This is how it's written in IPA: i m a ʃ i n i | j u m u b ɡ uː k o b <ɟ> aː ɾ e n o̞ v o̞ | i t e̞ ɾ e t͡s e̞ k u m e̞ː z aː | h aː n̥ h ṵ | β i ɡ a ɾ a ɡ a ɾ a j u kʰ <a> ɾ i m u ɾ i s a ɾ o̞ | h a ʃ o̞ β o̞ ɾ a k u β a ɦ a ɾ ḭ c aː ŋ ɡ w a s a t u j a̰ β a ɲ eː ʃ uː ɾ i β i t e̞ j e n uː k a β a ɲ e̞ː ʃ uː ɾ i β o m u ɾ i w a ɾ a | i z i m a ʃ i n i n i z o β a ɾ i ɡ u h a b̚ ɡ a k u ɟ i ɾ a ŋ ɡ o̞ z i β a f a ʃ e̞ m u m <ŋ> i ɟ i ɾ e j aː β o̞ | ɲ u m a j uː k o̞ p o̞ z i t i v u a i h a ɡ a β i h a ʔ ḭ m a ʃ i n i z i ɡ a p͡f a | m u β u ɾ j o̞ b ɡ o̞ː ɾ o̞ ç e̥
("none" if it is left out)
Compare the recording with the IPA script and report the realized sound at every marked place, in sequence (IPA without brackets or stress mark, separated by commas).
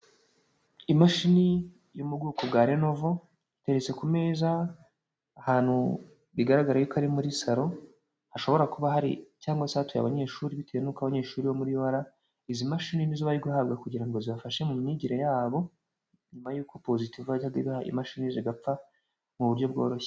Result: ɡ, a, ɲ